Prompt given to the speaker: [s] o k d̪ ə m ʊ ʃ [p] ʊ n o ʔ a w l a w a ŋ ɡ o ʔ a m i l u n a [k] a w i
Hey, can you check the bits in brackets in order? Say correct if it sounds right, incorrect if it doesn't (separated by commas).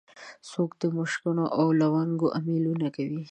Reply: correct, incorrect, correct